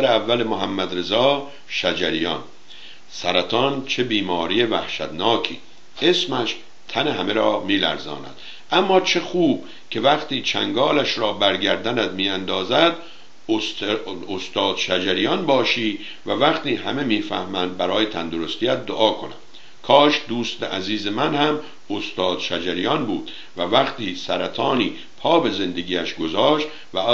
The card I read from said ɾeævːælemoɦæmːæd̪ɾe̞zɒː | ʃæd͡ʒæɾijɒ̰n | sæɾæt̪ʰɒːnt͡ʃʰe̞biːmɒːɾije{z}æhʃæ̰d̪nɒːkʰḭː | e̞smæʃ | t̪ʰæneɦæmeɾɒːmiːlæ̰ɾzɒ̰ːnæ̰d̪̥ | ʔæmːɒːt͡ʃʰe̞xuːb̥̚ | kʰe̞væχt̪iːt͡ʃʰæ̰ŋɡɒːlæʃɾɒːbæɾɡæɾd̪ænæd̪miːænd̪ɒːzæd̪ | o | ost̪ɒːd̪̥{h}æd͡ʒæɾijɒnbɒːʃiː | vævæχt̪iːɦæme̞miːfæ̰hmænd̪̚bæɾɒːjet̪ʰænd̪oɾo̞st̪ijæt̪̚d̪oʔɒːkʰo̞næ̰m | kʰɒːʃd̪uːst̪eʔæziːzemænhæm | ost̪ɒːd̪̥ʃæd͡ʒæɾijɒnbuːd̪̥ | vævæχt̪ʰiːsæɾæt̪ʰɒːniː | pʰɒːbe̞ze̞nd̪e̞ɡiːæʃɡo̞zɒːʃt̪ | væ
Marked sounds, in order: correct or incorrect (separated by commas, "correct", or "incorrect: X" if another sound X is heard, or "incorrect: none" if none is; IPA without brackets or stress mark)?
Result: incorrect: v, incorrect: ʃ